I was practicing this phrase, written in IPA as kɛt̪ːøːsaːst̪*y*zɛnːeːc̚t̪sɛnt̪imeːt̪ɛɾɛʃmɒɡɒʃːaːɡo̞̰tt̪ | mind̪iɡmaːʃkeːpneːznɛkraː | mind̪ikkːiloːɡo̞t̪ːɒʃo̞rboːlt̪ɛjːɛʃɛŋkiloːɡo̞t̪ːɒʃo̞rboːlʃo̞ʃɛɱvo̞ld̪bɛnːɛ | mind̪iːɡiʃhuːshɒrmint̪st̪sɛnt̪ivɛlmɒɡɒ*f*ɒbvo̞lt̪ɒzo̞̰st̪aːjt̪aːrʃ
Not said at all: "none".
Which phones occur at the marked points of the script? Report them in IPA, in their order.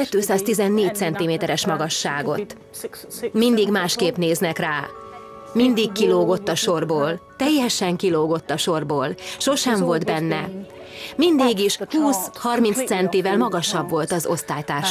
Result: i, ʃ

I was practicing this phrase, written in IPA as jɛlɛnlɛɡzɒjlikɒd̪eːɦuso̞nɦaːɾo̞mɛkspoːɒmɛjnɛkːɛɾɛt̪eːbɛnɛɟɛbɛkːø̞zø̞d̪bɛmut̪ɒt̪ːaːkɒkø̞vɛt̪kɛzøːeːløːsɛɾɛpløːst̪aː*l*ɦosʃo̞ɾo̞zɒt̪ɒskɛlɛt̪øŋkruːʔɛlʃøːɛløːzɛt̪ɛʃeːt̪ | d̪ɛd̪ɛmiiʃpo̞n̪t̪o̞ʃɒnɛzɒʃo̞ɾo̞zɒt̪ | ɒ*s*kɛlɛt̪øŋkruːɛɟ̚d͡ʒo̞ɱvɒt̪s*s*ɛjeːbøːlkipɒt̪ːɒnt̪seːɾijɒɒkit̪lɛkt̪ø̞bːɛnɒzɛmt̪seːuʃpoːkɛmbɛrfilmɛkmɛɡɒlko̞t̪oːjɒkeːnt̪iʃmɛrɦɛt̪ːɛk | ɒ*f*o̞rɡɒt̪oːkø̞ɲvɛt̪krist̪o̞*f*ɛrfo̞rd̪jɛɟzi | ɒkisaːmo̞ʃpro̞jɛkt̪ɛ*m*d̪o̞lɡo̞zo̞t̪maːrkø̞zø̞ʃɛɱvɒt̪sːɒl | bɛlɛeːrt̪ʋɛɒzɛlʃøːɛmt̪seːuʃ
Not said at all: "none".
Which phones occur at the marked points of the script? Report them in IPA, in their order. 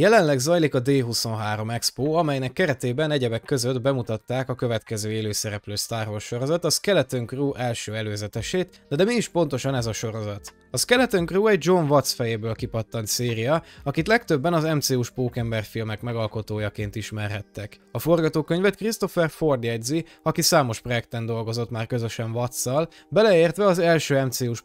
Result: r, s, f, f, f, n

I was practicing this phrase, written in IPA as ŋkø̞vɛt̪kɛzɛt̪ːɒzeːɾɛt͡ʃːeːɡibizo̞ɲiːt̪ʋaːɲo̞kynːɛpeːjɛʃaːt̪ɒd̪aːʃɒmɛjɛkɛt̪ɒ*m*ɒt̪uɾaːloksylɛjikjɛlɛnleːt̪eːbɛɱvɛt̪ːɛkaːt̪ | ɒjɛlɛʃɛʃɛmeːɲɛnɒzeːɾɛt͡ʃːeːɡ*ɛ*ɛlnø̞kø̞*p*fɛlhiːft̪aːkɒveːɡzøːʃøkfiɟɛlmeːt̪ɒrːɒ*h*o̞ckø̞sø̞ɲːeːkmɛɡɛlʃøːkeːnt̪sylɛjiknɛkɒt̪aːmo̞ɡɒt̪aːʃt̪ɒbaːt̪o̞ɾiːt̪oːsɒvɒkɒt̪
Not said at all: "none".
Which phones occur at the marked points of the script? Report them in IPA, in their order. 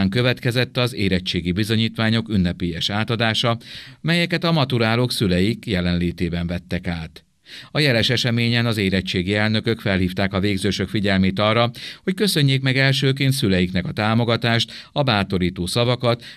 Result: m, i, k, h

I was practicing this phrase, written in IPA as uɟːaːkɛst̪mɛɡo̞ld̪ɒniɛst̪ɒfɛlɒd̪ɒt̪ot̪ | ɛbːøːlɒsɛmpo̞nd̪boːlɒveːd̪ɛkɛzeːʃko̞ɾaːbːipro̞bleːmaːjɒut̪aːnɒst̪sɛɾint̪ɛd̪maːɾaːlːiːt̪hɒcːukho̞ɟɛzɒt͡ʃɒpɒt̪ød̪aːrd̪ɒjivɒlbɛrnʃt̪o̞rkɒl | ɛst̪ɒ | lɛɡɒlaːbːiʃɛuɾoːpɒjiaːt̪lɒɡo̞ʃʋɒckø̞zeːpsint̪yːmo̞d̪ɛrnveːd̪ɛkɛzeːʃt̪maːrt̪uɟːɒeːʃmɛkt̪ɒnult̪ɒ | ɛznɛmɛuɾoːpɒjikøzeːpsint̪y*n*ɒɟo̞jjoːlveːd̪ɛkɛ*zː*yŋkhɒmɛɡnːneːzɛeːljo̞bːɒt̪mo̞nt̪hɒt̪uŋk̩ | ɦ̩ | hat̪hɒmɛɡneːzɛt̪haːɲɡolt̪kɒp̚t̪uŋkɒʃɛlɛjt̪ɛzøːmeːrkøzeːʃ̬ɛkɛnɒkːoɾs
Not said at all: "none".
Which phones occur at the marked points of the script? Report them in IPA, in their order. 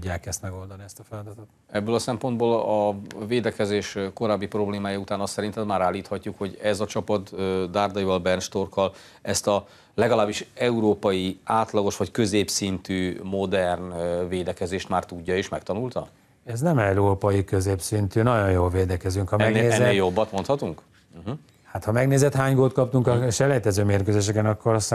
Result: n, z

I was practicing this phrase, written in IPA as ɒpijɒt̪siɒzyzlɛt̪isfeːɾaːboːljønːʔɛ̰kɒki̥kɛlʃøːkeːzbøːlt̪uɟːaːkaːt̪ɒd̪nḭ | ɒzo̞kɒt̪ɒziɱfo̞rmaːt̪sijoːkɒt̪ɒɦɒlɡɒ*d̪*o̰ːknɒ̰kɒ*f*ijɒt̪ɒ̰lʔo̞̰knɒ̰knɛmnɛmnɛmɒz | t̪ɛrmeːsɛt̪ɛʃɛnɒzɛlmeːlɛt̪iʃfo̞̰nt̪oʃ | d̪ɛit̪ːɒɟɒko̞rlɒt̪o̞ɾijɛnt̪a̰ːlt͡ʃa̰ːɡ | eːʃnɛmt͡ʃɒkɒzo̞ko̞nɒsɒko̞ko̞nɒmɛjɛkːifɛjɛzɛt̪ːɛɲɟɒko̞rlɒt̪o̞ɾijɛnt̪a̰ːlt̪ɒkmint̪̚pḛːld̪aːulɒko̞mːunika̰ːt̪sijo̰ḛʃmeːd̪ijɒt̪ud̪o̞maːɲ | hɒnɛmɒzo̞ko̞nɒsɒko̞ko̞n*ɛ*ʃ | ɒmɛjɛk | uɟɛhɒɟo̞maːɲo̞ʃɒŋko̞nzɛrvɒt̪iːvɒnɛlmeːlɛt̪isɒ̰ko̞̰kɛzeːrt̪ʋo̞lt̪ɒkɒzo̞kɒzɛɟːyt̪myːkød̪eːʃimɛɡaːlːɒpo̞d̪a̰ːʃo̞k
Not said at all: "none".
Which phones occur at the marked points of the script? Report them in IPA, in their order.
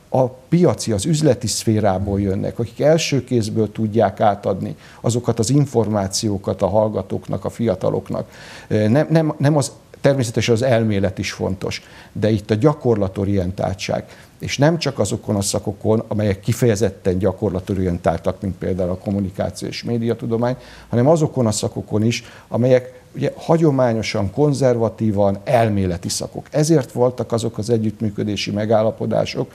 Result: t̪, f, i

